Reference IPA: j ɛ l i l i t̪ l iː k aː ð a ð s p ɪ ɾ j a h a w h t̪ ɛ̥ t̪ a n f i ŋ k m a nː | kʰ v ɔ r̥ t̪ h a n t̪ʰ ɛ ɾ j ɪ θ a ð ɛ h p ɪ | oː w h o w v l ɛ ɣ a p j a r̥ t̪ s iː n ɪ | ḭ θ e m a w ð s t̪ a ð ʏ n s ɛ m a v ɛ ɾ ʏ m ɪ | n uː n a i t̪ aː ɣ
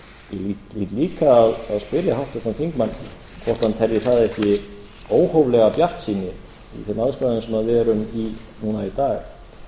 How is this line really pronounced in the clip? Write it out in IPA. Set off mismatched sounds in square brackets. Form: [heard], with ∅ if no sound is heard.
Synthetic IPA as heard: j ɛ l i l i t̪ l iː k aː ð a ð s p ɪ ɾ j a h a w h t̪ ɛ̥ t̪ a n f i ŋ k m a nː | kʰ v ɔ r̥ t̪ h a n t̪ʰ ɛ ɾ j ɪ θ a ð ɛ h [c] ɪ | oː w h o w v l ɛ ɣ a p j a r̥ t̪ s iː n ɪ | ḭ θ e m a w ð s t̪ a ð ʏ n s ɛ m a [ð] ɛ ɾ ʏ m [i] | n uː n a i t̪ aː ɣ